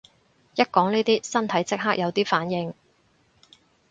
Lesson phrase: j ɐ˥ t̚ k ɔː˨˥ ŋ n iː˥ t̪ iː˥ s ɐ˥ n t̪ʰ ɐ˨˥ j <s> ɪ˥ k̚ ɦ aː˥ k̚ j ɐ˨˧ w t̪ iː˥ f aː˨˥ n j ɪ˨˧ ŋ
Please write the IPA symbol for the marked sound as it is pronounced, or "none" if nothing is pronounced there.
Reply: t͡s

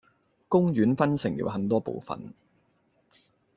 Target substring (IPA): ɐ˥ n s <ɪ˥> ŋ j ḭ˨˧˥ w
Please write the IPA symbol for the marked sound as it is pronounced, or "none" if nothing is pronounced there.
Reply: ɪ˨˩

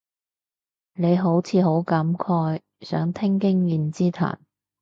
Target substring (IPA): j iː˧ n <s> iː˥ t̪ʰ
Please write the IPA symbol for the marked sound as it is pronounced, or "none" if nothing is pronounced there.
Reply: t͡s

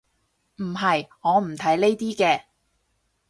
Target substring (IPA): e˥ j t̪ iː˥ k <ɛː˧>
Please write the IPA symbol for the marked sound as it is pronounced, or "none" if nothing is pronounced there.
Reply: ɛː˧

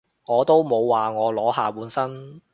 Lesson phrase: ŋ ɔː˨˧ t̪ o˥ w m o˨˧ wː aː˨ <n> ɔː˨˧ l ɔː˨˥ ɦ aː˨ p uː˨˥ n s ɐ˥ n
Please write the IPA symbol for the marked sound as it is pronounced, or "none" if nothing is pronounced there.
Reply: ŋ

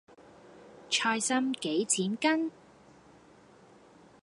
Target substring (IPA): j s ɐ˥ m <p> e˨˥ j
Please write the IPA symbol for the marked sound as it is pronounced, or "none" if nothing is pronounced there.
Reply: k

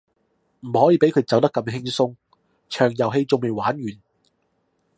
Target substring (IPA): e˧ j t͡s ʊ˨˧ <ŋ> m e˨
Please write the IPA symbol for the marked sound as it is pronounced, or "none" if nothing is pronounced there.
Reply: ŋ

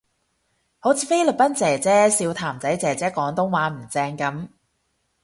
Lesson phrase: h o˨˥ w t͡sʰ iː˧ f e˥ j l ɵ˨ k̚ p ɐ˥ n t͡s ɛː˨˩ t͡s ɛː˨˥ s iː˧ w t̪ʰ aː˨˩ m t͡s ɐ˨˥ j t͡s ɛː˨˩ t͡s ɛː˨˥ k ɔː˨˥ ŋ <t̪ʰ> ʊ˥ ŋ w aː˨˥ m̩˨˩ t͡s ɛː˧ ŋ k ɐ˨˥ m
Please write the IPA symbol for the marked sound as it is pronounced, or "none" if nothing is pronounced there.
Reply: t̪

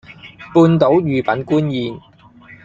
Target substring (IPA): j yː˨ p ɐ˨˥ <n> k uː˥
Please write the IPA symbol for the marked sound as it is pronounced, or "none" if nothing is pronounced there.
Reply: n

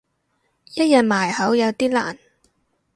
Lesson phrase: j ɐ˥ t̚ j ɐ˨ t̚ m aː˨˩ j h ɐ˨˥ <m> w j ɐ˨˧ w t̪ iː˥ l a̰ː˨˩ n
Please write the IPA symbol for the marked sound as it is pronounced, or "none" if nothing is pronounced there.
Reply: none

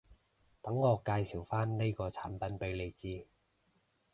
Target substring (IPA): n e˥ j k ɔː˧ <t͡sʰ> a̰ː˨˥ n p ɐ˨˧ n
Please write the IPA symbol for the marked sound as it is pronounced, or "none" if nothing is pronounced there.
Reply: t͡sʰ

